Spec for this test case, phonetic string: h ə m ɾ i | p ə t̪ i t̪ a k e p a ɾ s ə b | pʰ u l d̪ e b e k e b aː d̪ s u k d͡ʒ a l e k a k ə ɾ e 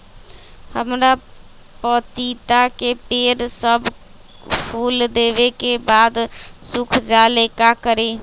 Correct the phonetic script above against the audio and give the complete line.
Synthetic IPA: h ə m ɾ a | p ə t̪ i t̪ a k e p e ɾ s ə b | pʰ u l d̪ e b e k e b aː d̪ s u kʰ d͡ʒ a l e k a k ə ɾ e